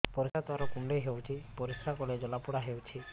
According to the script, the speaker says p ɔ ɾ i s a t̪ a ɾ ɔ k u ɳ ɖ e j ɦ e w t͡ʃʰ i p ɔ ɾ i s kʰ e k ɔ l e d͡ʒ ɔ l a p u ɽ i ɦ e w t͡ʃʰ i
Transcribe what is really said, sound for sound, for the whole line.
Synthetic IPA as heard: p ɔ ɾ i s a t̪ a ɾ ɔ k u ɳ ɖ e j ɦ e w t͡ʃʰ i p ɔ ɾ i s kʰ a k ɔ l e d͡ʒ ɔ l a p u ɽ a ɦ e w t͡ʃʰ i